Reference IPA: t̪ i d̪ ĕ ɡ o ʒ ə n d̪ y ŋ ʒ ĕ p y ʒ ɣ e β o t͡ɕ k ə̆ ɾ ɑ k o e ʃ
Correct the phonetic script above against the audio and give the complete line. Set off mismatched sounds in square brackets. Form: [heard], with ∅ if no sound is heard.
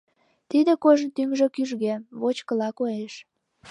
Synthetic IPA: t̪ i d̪ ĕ [k] o ʒ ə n [t̪] y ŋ ʒ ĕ [k] y ʒ ɣ e β o t͡ɕ k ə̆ [l] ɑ k o e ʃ